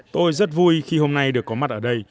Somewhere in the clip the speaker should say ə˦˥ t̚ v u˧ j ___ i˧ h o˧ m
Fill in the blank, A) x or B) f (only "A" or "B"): A